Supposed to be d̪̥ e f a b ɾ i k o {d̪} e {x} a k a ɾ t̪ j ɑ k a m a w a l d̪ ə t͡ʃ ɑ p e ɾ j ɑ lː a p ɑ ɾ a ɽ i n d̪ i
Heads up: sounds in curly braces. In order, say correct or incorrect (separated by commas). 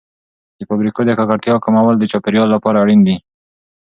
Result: correct, incorrect